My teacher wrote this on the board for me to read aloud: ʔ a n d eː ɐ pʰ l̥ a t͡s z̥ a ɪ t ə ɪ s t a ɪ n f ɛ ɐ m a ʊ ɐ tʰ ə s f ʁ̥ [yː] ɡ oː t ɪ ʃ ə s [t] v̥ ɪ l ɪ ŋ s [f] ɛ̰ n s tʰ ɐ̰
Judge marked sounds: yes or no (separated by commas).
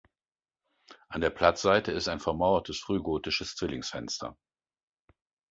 yes, no, yes